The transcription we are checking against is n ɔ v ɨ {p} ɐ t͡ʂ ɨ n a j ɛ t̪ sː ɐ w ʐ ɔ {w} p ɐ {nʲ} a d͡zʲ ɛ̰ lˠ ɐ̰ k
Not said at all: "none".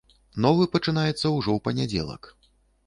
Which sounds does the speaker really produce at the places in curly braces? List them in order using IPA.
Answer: p, w, nʲ

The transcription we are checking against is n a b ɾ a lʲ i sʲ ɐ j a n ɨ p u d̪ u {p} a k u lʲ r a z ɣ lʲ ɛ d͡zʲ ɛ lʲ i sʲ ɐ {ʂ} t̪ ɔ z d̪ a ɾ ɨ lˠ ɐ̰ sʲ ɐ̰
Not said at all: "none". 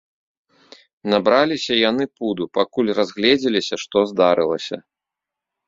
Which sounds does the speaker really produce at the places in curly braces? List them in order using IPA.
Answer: p, ʂ

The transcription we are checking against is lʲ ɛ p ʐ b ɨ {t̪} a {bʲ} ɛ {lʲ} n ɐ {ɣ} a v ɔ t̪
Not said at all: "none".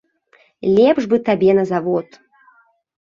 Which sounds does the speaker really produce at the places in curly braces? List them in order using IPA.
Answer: t̪, bʲ, none, z

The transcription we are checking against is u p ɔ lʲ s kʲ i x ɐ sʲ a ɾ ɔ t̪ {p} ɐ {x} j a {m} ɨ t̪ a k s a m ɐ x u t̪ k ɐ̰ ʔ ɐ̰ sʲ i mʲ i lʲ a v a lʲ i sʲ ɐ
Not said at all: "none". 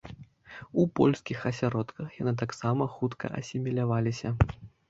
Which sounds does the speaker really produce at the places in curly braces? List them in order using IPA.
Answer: k, x, n

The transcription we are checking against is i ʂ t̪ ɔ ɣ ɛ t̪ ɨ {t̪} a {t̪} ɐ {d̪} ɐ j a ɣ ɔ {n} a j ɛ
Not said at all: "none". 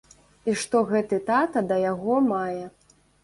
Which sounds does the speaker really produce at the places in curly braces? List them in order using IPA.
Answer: t̪, t̪, d̪, m

